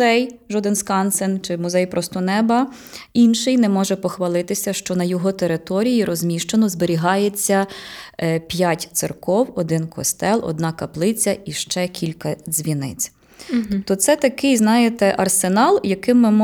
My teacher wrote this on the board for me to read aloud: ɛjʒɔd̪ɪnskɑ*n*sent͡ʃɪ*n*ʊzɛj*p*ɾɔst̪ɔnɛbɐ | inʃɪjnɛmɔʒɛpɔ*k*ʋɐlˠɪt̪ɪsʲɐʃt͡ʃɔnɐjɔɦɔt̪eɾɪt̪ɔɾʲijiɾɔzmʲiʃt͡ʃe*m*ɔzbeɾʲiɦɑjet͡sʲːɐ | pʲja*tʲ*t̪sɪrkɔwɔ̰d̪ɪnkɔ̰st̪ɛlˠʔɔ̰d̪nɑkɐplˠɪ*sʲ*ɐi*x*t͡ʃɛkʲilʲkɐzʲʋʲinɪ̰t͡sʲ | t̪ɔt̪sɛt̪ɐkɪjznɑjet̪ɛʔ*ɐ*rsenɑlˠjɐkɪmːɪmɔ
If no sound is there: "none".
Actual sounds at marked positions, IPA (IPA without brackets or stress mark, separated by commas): n, m, p, x, n, tʲ, t͡sʲ, ʃ, ɐ